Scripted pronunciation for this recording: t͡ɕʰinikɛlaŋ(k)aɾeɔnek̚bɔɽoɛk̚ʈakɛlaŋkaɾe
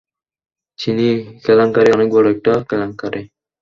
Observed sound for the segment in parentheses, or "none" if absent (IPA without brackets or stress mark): k